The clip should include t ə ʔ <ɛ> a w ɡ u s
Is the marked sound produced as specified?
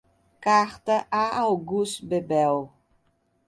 no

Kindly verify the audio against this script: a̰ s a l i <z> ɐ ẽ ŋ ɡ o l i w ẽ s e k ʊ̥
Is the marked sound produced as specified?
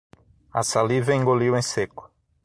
no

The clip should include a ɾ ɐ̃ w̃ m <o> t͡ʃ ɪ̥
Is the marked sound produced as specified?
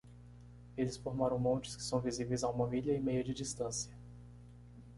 no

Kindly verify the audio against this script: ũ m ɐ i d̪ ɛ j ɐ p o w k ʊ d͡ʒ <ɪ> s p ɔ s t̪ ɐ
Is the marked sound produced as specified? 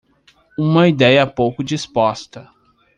no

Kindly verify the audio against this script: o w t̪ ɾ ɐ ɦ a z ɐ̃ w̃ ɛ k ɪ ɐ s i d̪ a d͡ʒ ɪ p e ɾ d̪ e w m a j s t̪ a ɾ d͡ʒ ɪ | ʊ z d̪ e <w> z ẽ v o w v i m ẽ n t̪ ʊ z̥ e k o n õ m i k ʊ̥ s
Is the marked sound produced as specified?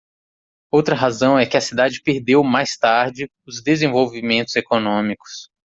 no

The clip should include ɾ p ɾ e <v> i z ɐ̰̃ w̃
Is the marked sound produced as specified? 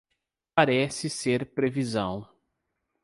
yes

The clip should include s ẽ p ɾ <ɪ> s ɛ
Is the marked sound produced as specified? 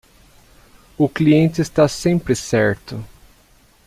yes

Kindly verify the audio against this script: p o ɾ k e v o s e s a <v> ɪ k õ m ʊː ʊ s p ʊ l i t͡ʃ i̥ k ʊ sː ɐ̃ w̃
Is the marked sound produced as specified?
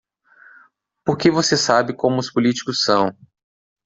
no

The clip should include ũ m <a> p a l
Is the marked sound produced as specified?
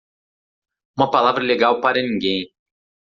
no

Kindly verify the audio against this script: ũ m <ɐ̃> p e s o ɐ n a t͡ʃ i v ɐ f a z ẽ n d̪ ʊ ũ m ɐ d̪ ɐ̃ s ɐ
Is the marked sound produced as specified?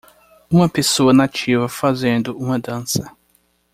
no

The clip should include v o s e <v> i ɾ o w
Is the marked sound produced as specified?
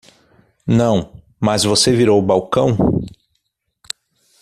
yes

